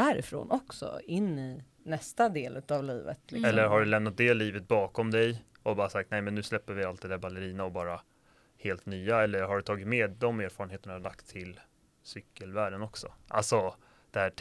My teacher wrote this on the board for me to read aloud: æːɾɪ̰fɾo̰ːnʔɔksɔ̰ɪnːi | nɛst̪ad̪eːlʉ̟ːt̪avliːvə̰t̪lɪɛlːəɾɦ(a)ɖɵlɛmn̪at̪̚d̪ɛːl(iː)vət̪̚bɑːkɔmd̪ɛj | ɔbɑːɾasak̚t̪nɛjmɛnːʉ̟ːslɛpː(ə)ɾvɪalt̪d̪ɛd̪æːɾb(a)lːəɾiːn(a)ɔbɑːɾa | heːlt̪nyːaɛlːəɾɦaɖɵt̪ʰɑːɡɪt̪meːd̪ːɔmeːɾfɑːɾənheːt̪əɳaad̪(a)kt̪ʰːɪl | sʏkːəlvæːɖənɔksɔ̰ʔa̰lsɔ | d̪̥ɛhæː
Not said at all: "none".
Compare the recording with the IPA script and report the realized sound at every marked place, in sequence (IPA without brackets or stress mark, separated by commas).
a, iː, ə, a, a, a